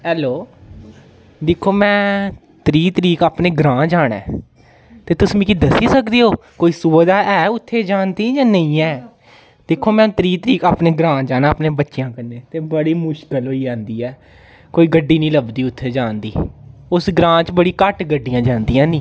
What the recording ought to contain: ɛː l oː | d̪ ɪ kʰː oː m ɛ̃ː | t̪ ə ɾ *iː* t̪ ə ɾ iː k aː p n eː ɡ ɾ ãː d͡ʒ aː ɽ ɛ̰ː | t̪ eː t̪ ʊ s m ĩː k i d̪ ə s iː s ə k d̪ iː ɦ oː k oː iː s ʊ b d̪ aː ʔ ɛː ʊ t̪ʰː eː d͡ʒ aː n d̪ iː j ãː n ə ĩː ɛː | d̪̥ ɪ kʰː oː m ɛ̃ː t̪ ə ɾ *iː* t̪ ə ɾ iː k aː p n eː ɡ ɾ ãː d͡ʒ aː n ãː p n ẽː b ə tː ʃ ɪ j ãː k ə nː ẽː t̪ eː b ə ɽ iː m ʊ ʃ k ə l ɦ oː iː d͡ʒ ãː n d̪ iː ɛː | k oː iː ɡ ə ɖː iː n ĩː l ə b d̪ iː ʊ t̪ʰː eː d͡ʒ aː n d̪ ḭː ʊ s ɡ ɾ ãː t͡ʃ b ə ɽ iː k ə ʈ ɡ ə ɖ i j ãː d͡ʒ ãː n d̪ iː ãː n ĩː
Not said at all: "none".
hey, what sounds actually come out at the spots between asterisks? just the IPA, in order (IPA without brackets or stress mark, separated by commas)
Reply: iː, iː